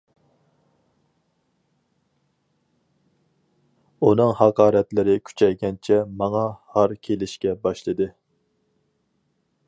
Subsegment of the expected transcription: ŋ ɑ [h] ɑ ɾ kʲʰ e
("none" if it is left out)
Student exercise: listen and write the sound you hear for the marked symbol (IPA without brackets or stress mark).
h